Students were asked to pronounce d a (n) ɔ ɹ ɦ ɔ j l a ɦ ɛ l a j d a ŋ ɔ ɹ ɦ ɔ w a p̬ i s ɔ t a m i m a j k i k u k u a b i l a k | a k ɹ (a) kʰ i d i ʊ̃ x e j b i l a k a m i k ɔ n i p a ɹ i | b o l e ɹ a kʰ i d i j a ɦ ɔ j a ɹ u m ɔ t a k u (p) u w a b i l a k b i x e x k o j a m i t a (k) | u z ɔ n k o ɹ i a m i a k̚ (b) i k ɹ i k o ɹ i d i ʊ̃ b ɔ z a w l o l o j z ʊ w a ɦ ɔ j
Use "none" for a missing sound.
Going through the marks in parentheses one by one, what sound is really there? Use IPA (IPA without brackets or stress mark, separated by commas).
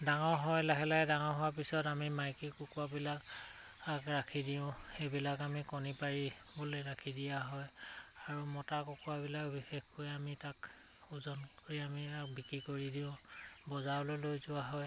ŋ, a, k, k, b